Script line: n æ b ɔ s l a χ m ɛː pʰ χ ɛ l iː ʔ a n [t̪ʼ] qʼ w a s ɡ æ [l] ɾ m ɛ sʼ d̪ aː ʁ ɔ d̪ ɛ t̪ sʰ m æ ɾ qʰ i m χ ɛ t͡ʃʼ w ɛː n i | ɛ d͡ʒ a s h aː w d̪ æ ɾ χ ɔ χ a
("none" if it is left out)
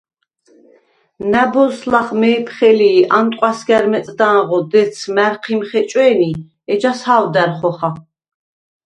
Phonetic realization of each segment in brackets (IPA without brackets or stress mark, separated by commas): t̪ʼ, none